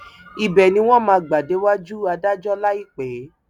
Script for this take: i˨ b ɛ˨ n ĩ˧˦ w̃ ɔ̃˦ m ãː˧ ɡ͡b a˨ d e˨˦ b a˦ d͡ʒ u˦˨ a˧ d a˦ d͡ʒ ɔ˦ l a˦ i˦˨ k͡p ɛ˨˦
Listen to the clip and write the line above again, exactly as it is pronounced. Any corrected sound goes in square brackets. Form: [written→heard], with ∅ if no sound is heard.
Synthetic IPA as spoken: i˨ b ɛ˨ n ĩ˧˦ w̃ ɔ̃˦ m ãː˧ ɡ͡b a˨ d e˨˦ [b→w] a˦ d͡ʒ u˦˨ a˧ d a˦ d͡ʒ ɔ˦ l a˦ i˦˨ k͡p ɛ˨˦